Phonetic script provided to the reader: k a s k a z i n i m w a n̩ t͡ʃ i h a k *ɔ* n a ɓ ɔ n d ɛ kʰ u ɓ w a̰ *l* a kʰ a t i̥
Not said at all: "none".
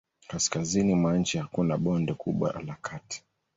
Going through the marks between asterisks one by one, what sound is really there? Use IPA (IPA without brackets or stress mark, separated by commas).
u, l